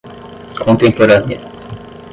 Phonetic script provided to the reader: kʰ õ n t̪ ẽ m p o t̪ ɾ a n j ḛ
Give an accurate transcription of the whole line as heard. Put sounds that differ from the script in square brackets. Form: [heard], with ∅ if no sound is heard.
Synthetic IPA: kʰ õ n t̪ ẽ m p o [∅] ɾ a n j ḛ